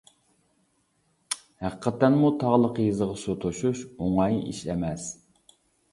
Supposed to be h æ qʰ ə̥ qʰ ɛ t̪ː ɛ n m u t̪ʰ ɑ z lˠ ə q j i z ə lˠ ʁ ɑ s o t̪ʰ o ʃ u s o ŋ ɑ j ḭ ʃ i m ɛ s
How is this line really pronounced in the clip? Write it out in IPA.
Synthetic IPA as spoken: h æ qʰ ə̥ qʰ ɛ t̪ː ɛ n m u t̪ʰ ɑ ʁ lˠ ə q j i z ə ʁ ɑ s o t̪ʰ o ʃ u ʃ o ŋ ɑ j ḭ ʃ ɛ m ɛ s